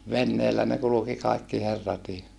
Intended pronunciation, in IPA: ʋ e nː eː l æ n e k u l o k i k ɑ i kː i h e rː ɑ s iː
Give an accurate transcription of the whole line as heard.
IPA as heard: ʋ e nː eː lː æ n e k u l u k i k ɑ i kː i h e rː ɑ t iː